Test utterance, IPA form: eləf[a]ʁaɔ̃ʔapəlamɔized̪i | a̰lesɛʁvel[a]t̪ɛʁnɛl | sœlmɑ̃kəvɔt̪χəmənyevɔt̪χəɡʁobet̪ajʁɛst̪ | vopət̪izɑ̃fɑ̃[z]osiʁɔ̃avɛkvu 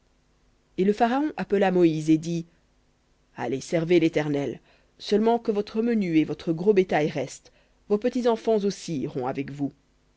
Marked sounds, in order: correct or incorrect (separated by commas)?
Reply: correct, incorrect, correct